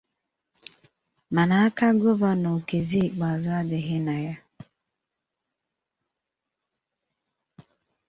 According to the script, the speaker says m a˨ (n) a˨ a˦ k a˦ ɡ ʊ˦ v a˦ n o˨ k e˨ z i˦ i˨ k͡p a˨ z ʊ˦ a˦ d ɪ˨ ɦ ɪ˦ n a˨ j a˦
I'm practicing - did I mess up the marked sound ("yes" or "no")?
no